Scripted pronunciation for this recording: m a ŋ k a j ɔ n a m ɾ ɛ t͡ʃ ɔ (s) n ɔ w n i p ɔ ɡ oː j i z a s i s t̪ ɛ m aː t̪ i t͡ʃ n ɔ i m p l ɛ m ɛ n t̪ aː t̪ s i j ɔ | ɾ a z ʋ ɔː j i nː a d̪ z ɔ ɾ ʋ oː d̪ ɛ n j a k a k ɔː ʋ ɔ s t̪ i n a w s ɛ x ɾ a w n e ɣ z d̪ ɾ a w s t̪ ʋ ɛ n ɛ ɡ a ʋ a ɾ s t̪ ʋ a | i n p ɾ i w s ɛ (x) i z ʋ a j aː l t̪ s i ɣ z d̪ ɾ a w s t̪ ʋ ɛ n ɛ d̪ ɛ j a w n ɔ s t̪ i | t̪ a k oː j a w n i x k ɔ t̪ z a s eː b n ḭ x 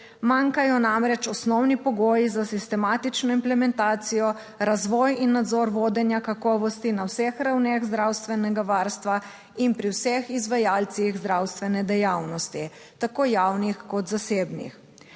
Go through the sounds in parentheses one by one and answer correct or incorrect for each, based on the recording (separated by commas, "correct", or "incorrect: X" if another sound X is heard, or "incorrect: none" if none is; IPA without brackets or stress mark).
correct, correct